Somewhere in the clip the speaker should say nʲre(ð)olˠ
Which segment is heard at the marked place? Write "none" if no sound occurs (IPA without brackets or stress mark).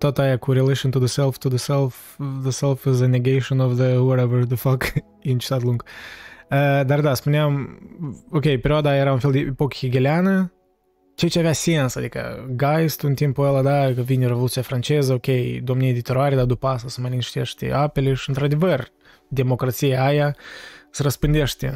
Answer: v